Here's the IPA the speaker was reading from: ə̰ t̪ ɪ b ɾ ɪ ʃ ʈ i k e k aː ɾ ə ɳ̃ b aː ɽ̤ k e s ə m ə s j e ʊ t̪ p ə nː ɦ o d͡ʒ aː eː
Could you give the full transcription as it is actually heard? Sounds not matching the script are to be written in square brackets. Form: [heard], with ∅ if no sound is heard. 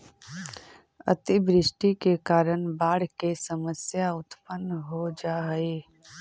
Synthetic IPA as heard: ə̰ t̪ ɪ b ɾ ɪ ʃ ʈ i k e k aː ɾ ə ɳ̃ b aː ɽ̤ k e s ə m ə s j [a] ʊ t̪ p ə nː ɦ o d͡ʒ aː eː